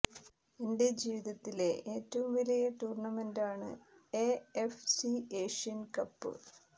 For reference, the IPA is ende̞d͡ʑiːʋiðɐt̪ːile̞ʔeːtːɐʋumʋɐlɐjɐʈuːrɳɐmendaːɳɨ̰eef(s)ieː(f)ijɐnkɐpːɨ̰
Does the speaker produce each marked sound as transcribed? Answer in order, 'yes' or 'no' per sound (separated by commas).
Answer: yes, no